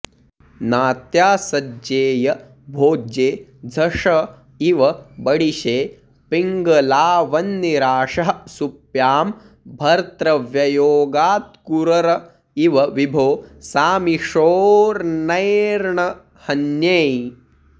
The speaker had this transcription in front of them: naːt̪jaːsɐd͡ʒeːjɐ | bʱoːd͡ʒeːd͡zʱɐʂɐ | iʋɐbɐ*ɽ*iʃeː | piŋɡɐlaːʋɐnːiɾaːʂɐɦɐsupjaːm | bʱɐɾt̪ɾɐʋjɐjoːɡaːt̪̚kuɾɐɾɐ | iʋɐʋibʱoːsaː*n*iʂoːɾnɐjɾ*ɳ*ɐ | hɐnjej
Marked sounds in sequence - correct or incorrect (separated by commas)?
correct, incorrect, correct